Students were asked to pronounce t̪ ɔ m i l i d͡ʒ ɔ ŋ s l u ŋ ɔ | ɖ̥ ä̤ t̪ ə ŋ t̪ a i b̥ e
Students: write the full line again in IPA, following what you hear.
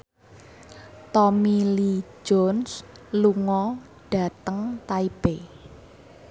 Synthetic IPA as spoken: t̪ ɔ m i l i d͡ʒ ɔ n s l u ŋ ɔ | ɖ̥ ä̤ t̪ ə ŋ t̪ a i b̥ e